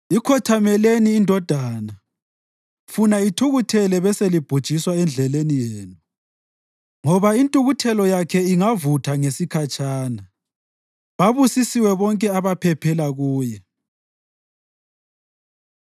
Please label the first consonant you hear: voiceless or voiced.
voiceless